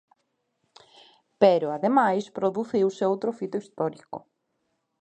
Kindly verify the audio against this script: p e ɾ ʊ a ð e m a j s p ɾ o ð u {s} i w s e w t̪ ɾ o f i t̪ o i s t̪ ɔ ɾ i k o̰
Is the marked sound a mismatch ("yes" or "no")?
yes